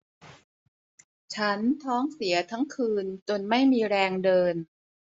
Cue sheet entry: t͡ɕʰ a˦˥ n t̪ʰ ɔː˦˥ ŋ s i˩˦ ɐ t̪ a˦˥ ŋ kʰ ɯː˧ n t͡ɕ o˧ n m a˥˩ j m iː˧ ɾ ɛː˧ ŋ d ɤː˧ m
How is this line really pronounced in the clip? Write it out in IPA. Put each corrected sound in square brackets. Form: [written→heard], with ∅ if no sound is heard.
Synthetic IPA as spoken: t͡ɕʰ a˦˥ n t̪ʰ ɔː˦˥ ŋ s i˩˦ ɐ [t̪→t̪ʰ] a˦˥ ŋ kʰ ɯː˧ n t͡ɕ o˧ n m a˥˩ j m iː˧ ɾ ɛː˧ ŋ d ɤː˧ [m→n]